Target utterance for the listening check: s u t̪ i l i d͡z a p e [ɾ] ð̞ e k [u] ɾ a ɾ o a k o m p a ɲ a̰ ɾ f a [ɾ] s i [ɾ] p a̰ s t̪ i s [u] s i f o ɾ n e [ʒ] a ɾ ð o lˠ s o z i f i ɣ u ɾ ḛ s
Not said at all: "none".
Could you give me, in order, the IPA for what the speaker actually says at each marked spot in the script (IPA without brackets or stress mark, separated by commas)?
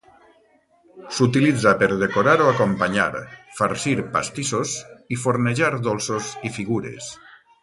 ɾ, o, ɾ, ɾ, o, ʒ